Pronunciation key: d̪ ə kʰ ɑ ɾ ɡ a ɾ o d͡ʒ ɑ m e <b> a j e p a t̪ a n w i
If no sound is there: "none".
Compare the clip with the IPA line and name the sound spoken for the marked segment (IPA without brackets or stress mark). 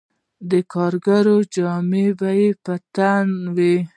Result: b